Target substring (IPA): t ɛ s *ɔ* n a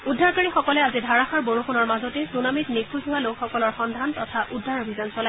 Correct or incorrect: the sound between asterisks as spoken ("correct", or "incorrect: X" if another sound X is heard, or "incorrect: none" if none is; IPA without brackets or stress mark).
incorrect: u